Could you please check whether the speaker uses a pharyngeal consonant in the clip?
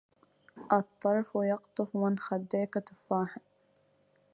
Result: yes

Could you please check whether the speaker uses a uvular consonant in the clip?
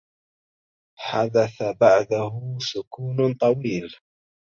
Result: no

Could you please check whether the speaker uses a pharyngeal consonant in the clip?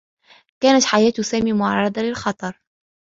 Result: yes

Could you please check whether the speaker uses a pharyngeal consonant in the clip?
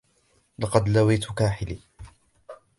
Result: yes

